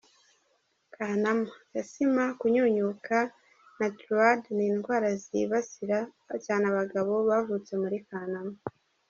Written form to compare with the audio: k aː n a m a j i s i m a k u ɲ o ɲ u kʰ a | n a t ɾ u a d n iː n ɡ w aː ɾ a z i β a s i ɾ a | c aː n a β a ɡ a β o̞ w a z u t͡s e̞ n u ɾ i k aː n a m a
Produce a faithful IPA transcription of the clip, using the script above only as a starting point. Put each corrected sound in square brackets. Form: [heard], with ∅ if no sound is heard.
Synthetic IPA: k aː n a m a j [a] s i m a k u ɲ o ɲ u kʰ a | n a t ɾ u a d n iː n ɡ w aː ɾ a z i β a s i ɾ a | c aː n a β a ɡ a β o̞ [β] a [v] u t͡s e̞ [m] u ɾ i k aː n a m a